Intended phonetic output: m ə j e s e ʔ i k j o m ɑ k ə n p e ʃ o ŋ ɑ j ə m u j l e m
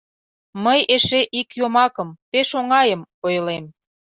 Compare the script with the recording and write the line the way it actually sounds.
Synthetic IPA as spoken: m ə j e ʃ e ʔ i k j o m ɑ k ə m p e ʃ o ŋ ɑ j ə m o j l e m